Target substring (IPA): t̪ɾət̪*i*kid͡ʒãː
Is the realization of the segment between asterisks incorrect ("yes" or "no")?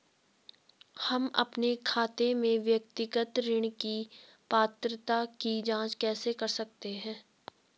yes